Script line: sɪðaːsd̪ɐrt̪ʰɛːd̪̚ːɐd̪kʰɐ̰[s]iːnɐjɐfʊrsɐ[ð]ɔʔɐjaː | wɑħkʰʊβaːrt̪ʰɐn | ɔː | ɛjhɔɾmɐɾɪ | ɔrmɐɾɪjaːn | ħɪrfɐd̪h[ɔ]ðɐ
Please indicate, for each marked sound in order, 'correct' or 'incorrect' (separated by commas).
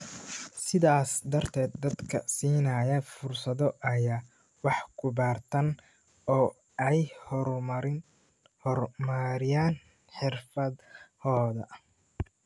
correct, correct, incorrect